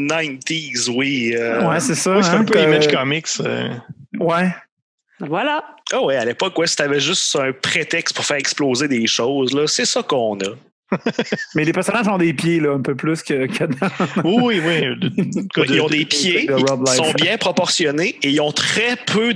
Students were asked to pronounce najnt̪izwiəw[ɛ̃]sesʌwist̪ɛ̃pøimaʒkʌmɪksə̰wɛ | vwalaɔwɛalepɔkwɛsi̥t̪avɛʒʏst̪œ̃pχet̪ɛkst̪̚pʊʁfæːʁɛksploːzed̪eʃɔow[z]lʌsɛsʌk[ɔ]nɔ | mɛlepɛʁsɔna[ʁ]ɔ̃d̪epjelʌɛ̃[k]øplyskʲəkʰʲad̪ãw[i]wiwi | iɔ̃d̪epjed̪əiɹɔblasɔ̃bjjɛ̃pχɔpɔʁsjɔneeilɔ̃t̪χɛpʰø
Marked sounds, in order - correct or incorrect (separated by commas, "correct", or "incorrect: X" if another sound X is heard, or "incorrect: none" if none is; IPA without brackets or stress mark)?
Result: incorrect: ɛ, correct, incorrect: ɔ̃, incorrect: ʒ, incorrect: p, correct